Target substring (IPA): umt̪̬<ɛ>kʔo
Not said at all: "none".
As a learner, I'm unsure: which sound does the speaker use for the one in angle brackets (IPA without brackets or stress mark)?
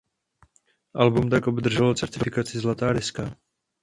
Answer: a